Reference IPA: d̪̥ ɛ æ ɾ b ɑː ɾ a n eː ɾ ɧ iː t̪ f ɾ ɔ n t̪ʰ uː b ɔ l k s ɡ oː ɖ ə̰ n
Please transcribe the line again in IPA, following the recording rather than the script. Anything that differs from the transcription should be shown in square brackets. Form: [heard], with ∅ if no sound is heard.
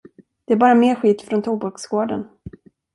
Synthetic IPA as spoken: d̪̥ ɛ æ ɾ b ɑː ɾ a [m] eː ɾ ɧ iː t̪ f ɾ ɔ n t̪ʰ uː b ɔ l k s ɡ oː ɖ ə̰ n